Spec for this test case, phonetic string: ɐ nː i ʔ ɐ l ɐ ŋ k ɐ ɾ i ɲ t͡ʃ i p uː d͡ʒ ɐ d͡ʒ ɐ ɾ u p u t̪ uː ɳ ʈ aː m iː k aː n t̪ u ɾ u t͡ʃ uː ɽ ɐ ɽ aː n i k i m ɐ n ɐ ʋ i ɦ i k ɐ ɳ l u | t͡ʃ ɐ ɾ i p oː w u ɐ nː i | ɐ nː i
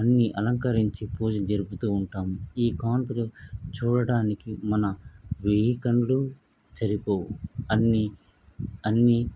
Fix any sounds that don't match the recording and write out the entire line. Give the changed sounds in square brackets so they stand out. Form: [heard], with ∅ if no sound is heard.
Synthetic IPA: ɐ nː i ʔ ɐ l ɐ ŋ k ɐ ɾ i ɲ t͡ʃ i p uː d͡ʒ ɐ d͡ʒ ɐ ɾ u p u t̪ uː ɳ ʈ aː m iː k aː n t̪ u [l] u t͡ʃ uː ɽ ɐ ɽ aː n i k i m ɐ n ɐ ʋ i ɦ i k ɐ ɳ l u | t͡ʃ ɐ ɾ i p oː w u ɐ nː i | ɐ nː i